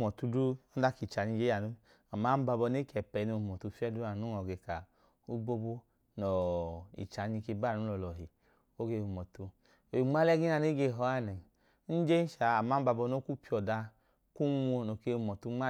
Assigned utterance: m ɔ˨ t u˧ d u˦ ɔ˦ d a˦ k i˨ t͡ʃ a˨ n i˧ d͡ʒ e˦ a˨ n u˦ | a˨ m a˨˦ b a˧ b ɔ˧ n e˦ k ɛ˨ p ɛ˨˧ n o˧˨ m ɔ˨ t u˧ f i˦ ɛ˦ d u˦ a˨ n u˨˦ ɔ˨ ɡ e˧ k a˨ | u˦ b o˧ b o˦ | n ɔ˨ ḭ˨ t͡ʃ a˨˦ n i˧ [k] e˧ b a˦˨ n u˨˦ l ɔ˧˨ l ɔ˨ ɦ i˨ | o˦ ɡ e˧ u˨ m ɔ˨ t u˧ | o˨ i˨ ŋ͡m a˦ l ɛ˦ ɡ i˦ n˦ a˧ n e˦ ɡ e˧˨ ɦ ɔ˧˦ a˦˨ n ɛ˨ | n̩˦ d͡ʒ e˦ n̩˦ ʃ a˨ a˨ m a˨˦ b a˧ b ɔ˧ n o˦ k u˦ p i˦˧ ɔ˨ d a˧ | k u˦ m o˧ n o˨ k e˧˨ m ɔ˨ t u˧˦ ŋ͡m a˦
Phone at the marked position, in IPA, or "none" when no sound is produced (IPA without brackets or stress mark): k